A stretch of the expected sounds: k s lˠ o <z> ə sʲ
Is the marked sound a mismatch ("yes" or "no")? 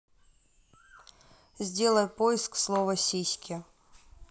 yes